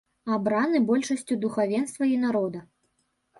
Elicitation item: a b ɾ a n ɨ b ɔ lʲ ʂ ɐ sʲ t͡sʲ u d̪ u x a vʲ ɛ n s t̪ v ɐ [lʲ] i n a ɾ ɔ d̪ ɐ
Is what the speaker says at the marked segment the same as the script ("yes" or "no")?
no